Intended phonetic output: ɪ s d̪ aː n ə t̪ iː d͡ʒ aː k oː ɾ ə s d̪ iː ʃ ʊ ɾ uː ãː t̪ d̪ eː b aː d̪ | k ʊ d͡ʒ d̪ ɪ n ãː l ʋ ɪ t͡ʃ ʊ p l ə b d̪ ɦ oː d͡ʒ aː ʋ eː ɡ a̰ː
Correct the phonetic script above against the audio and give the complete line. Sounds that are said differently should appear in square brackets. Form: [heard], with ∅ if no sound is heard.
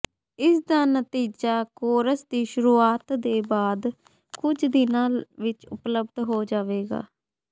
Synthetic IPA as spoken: ɪ s d̪ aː n ə t̪ iː d͡ʒ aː k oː ɾ ə s d̪ iː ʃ ʊ ɾ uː [aː] t̪ d̪ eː b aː d̪ | k ʊ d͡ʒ d̪ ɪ n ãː l ʋ ɪ t͡ʃ ʊ p l ə b d̪ ɦ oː d͡ʒ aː ʋ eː ɡ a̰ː